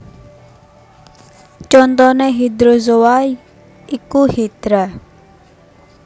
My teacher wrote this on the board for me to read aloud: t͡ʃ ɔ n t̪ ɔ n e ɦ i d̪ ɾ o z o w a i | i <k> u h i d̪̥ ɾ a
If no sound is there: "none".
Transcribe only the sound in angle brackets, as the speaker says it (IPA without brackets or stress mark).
k